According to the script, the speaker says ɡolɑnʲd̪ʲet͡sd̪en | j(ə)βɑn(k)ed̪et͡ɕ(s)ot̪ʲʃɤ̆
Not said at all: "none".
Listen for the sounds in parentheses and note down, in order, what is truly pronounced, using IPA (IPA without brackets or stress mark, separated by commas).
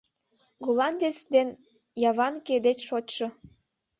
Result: ɑ, k, ʃ